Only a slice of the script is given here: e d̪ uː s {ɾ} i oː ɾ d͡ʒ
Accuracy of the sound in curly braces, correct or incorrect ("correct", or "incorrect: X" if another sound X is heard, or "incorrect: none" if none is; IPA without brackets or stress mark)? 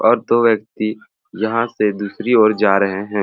correct